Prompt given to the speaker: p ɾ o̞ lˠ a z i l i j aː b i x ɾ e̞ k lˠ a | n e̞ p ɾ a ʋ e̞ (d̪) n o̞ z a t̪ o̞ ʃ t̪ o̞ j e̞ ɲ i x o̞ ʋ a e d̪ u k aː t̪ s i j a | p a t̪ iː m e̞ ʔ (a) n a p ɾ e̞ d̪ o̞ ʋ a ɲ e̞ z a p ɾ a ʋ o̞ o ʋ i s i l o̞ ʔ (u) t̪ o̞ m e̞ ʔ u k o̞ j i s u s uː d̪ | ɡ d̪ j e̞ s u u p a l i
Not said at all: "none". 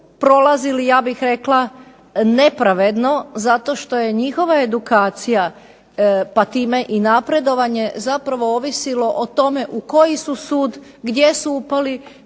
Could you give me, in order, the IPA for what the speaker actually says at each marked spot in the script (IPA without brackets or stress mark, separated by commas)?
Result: d̪, i, o